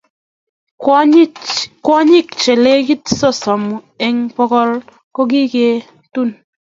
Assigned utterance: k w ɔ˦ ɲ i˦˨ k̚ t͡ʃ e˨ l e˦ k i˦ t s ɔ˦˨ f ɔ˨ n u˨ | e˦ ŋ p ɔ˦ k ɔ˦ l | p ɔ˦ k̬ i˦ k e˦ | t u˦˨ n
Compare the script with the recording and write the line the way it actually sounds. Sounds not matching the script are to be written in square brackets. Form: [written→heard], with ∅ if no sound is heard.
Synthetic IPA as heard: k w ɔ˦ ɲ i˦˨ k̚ t͡ʃ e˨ l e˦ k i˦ t s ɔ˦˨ [f→s] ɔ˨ [n→m] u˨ | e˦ ŋ p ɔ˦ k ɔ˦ l | [p→k] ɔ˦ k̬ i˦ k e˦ | t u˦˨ n